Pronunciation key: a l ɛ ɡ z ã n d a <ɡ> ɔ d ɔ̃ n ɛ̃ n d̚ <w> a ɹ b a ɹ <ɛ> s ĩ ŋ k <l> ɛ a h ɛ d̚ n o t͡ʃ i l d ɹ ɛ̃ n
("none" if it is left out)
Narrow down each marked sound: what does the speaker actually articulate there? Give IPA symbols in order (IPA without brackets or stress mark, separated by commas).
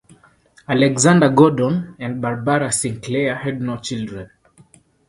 ɡ, b, a, l